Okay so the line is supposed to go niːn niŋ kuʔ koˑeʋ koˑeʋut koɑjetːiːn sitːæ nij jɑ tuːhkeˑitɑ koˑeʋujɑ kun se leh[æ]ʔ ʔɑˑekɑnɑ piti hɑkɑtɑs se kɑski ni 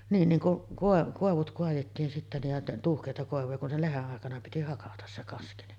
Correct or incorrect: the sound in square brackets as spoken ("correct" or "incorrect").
incorrect